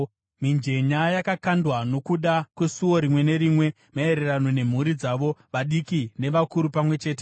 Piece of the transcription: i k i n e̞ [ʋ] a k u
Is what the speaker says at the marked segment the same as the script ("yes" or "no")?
yes